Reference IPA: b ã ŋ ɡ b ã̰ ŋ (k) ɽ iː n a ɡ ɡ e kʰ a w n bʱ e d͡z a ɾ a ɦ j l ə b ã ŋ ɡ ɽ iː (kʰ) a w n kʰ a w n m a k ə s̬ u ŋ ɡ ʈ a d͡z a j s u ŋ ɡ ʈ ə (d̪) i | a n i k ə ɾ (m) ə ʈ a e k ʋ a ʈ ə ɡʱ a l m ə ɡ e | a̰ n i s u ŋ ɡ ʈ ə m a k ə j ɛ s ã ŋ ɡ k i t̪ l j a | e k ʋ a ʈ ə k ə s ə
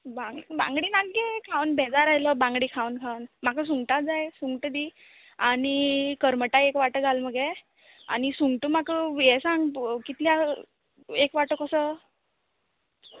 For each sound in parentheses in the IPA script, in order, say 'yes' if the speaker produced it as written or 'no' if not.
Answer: no, yes, yes, yes

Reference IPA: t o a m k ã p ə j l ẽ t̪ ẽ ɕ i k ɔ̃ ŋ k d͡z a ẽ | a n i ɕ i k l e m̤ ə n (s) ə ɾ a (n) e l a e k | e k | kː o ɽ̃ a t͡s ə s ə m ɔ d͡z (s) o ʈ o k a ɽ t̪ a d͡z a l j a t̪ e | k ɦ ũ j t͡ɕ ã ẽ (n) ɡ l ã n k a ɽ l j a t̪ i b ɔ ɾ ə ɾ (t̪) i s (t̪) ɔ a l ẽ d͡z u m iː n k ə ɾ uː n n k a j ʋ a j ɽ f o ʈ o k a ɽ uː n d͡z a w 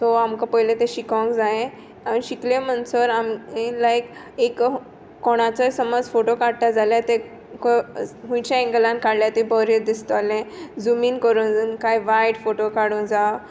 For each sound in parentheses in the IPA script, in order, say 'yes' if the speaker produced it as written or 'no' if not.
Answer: yes, no, no, no, no, yes

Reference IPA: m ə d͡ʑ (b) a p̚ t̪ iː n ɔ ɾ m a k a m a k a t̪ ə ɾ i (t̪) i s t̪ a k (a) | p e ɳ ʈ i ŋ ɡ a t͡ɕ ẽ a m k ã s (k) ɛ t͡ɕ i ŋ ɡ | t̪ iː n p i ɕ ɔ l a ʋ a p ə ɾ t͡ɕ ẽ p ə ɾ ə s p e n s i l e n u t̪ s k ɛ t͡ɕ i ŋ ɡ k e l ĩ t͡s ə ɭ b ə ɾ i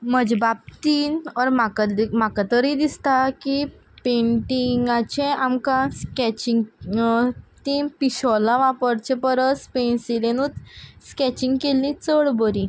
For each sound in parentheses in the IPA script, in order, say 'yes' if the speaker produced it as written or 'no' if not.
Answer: yes, no, no, yes

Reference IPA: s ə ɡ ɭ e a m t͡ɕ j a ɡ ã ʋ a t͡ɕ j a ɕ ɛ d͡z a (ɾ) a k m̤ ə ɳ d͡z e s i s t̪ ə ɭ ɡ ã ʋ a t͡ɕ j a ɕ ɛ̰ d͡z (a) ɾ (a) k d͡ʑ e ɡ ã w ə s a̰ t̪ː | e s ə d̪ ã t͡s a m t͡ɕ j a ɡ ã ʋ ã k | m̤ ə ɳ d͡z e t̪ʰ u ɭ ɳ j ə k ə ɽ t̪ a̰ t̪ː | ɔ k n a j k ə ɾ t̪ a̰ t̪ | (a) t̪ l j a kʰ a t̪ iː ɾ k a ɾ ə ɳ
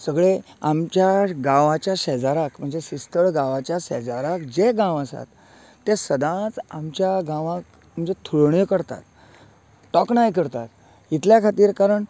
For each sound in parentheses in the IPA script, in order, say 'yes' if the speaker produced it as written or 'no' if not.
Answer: yes, yes, yes, no

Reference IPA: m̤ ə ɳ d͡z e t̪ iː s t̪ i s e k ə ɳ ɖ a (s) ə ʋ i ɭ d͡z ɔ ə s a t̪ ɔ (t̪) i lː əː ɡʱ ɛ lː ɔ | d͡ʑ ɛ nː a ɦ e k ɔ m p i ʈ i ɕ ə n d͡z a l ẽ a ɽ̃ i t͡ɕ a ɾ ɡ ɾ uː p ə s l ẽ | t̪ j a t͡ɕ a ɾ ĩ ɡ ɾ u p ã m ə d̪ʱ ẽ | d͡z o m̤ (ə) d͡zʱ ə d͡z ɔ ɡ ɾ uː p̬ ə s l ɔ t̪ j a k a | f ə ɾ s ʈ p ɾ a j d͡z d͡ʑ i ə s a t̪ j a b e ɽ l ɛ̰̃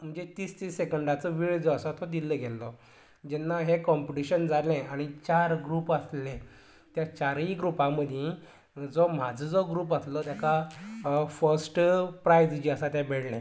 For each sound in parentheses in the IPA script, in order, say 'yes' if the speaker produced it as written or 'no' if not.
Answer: no, no, no

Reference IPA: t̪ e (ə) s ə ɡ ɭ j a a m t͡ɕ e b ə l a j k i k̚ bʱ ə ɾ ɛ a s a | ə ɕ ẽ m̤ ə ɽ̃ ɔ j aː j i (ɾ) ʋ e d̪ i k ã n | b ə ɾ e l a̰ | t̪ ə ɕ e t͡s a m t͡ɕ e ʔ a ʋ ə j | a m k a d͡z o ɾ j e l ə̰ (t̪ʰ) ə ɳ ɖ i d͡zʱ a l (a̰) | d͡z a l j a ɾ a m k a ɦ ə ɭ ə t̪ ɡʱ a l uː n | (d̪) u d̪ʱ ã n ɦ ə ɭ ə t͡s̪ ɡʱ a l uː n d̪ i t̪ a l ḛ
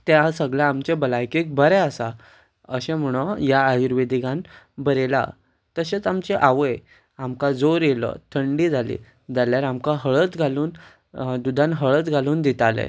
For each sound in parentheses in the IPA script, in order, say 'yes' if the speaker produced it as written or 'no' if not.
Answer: no, yes, yes, no, yes

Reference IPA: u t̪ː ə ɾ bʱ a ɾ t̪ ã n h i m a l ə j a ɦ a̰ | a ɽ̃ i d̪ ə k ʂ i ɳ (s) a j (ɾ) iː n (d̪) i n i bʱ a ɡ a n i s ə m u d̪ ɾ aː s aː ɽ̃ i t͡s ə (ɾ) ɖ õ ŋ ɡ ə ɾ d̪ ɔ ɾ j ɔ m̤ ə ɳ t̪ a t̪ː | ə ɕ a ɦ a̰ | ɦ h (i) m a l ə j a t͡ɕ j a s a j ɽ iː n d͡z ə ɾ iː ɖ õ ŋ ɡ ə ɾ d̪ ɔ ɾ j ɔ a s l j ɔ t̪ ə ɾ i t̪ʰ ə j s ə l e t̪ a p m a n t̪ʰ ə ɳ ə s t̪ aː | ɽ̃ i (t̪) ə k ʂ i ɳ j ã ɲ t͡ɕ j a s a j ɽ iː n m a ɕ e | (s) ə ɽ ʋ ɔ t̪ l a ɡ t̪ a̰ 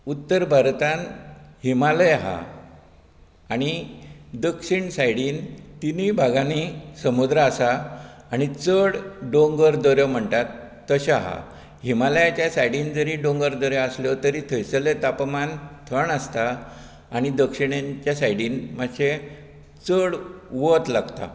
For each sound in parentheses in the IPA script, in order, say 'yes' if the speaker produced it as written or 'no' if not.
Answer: yes, no, no, no, yes, no, no

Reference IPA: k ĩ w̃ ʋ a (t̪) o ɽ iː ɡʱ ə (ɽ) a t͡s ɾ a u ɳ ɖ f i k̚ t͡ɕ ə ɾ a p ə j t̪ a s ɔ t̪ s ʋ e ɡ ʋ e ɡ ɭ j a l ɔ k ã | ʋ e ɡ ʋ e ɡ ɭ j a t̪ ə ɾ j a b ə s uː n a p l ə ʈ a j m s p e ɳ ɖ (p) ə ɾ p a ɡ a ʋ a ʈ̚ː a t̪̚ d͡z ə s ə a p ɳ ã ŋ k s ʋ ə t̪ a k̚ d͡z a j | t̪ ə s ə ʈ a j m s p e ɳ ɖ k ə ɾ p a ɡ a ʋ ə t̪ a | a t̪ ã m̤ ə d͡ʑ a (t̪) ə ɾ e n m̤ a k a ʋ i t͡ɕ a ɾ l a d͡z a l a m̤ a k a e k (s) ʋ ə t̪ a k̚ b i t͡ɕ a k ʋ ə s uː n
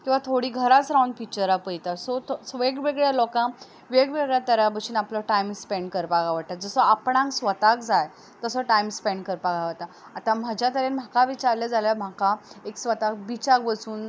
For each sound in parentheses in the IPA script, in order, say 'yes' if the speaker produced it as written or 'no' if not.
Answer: no, no, no, yes, yes

